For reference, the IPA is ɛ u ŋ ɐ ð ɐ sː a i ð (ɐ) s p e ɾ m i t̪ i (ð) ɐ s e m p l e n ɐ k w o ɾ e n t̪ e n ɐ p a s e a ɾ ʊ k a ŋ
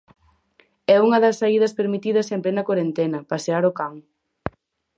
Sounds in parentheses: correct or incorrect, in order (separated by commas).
correct, correct